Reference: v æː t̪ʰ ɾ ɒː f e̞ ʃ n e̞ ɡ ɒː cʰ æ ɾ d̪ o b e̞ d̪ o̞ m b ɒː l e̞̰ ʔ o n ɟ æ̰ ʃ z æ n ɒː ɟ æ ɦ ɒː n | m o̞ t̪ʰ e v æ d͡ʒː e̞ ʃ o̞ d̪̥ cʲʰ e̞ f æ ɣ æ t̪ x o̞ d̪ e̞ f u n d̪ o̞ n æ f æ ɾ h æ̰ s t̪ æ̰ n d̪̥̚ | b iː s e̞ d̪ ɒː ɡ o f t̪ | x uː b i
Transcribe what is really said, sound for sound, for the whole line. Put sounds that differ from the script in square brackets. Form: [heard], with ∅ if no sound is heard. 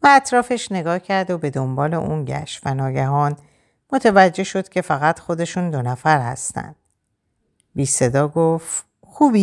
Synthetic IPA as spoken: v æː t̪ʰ ɾ ɒː f e̞ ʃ n e̞ ɡ ɒː cʰ æ ɾ d̪ o b e̞ d̪ o̞ m b ɒː l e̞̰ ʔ [u] n ɟ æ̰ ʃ [v] æ n ɒː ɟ æ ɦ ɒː n | m o̞ t̪ʰ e v æ d͡ʒː e̞ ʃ o̞ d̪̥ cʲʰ e̞ f æ ɣ æ t̪ x o̞ d̪ e̞ [ʃ] u n d̪ o̞ n æ f æ ɾ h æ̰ s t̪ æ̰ n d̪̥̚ | b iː s e̞ d̪ ɒː ɡ o f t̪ | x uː b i